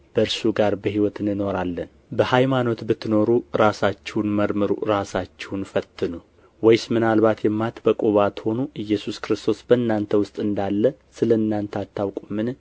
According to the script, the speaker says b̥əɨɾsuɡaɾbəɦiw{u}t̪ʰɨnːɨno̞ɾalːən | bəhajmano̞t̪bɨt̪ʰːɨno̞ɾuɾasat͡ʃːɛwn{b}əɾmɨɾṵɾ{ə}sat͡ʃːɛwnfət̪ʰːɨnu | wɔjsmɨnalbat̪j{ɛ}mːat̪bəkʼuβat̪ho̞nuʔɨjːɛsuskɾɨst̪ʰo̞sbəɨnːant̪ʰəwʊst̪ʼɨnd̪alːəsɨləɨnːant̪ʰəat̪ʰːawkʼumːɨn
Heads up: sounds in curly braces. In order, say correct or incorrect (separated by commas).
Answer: incorrect, incorrect, incorrect, correct